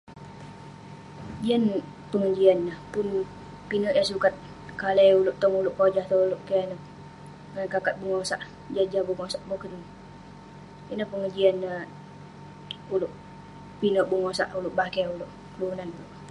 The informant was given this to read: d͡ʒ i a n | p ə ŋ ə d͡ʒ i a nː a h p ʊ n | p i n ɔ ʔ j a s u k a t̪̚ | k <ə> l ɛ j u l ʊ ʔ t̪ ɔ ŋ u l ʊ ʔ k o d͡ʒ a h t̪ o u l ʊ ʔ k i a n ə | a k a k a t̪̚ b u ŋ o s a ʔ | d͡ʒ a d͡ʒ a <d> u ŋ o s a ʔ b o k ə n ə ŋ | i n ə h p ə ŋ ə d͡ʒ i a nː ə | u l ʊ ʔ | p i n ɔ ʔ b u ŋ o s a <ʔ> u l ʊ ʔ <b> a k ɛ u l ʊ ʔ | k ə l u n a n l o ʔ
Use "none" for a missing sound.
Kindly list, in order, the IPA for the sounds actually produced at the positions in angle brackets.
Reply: a, b, ʔ, b

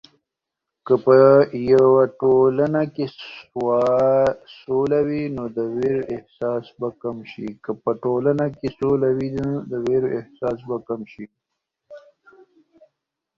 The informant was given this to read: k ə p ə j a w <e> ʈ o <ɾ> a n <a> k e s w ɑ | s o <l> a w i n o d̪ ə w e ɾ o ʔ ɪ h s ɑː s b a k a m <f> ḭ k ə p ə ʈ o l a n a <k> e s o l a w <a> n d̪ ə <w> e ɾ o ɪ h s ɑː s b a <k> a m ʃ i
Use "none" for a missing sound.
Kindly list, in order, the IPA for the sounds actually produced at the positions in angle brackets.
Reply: a, l, a, l, ʃ, k, i, w, k

